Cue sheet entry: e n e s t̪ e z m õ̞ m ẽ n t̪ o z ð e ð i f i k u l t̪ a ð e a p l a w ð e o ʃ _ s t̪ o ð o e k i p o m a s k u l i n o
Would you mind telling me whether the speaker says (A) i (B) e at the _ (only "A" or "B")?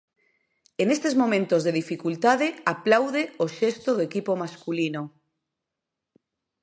B